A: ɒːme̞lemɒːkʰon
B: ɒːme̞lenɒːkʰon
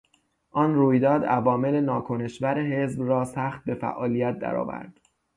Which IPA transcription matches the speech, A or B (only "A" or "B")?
B